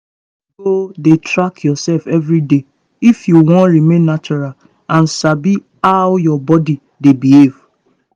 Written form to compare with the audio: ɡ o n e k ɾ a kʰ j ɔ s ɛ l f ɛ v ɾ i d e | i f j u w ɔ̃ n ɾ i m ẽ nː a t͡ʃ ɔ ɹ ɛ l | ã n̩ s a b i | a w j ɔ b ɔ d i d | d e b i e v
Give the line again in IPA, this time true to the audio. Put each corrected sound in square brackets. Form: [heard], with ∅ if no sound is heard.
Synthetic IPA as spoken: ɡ o [d] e [t] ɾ a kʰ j ɔ s ɛ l f ɛ v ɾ i d e | i f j u w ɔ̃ n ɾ i m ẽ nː a t͡ʃ ɔ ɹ [a] l | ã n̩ s a b i | a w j ɔ b ɔ d i [∅] | d e b i e v